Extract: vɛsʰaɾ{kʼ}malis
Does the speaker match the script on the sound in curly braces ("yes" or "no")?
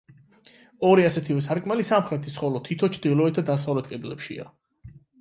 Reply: yes